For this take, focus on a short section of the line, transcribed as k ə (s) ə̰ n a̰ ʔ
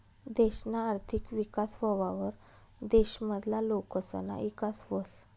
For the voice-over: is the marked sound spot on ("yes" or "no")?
yes